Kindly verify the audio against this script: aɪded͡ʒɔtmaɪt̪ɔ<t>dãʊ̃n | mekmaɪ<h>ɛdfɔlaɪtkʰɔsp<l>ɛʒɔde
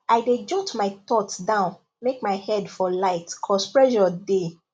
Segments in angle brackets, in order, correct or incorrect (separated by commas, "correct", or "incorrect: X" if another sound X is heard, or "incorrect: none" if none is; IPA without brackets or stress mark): correct, correct, incorrect: ɹ